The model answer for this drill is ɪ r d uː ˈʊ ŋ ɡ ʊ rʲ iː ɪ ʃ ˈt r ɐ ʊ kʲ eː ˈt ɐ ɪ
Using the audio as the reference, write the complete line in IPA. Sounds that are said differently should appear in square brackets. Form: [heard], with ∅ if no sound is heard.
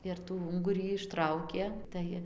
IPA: ɪ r [t] uː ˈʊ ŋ ɡ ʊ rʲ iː ɪ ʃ ˈt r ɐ ʊ kʲ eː ˈt ɐ ɪ